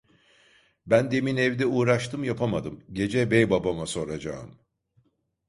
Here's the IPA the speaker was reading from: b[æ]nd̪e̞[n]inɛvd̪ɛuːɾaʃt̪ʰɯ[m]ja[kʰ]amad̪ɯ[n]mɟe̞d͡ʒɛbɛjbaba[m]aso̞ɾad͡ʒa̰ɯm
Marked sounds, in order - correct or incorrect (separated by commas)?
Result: correct, incorrect, correct, incorrect, incorrect, correct